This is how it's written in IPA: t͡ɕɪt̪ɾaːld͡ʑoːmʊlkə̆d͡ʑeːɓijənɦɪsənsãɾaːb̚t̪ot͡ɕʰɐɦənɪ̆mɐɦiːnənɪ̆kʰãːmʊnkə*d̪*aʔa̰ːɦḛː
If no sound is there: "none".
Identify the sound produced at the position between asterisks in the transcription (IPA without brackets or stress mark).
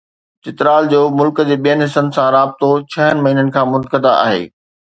d̪